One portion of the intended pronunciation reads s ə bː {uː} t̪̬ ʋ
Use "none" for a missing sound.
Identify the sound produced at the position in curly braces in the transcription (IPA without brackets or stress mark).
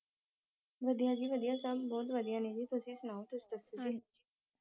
ɔː